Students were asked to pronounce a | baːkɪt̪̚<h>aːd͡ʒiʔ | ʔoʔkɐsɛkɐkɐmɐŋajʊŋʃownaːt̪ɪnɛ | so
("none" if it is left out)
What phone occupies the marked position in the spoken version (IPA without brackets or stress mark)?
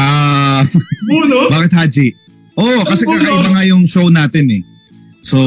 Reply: h